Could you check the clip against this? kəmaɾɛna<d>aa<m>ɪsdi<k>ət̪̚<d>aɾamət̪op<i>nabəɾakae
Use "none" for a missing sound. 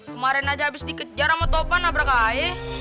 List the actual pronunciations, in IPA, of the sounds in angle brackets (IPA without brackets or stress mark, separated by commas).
d͡ʒ, b, k, d͡ʒ, a